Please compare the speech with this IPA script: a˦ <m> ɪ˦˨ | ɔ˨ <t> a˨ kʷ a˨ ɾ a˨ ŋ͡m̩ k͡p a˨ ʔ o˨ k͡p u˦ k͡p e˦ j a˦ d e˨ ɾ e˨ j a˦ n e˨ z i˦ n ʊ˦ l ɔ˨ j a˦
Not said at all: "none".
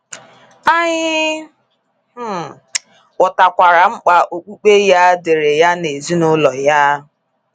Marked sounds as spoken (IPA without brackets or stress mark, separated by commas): ɲ, t